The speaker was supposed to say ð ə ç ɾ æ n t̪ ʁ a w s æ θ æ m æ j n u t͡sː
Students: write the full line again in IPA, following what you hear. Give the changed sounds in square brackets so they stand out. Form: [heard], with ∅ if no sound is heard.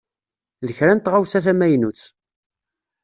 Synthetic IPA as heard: ð ə ç ɾ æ n t̪ ʁ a w s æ θ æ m æ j n u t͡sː